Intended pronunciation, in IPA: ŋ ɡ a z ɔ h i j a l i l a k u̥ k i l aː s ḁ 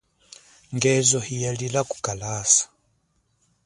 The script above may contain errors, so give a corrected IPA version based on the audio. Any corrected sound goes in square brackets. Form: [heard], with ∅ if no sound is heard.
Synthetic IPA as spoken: ŋ ɡ [ɛ] z ɔ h i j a l i l a k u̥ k [a] l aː s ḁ